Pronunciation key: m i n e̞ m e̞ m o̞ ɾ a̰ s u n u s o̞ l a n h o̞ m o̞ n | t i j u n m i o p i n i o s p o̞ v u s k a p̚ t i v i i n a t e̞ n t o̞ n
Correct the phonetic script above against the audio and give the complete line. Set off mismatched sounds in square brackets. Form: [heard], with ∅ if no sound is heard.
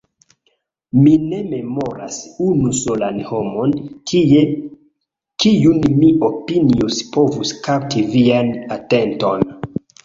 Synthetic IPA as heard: m i n e̞ m e̞ m o̞ ɾ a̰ s u n u s o̞ l a n h o̞ m o̞ n | [k] i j u n m i o p i n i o s p o̞ v u s k a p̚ t i v i [a] n a t e̞ n t o̞ n

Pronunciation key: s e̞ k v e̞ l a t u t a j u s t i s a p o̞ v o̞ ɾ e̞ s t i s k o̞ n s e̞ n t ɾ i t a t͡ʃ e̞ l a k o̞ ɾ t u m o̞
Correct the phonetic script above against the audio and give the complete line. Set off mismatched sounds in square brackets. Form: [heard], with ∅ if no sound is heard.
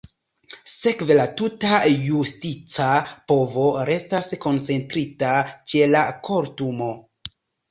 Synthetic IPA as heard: s e̞ k v e̞ l a t u t a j u s t i [t͡s] a p o̞ v o̞ ɾ e̞ s t [a] s k o̞ n [t͡s] e̞ n t ɾ i t a t͡ʃ e̞ l a k o̞ ɾ t u m o̞

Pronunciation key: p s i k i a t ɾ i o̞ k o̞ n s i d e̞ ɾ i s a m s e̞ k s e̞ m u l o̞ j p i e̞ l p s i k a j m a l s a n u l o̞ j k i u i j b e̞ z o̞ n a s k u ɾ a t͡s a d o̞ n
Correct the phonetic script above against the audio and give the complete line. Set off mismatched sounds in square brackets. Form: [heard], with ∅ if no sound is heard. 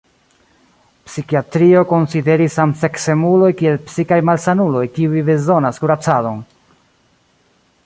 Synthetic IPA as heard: p s i k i a t ɾ i o̞ k o̞ n s i d e̞ ɾ i s a m s e̞ k s e̞ m u l o̞ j [k] i e̞ l p s i k a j m a l s a n u l o̞ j k i u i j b e̞ z o̞ n a s k u ɾ a t͡s a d o̞ n

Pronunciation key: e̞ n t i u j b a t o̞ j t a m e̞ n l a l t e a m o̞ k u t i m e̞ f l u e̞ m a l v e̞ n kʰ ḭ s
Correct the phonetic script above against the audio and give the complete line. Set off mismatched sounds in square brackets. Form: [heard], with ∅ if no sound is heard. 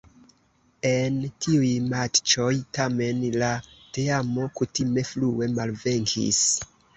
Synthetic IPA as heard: e̞ n t i u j [m] a [t͡ʃ] o̞ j t a m e̞ n l a [∅] t e a m o̞ k u t i m e̞ f l u e̞ m a l v e̞ [ŋ] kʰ ḭ s

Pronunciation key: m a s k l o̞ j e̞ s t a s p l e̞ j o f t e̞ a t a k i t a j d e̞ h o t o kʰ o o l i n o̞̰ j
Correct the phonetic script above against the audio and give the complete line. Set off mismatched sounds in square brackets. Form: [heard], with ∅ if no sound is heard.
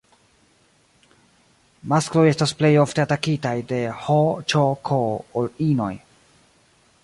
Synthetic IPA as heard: m a s k l o̞ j e̞ s t a s p l e̞ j o f t e̞ a t a k i t a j d e̞ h o [t͡ʃ] o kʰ o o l i n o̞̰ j

